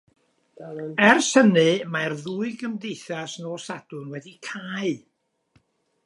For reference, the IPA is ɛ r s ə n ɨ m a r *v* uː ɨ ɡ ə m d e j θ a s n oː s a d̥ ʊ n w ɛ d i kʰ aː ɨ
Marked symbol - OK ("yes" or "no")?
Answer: no